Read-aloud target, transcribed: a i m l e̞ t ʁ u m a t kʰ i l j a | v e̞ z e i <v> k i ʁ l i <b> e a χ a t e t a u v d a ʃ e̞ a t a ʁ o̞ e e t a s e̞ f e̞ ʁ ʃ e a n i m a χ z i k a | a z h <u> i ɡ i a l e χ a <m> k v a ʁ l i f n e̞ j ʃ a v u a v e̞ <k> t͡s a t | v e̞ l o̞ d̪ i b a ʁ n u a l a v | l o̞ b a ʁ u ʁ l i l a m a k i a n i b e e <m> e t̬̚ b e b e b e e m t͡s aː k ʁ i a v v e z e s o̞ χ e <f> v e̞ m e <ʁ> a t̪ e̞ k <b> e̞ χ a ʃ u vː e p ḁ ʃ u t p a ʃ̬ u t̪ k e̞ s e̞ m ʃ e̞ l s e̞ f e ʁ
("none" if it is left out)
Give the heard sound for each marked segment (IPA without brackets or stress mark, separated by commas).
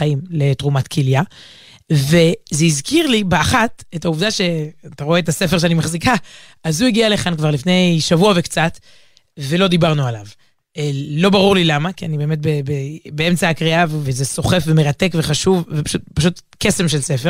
z, b, u, n, k, m, f, ʁ, v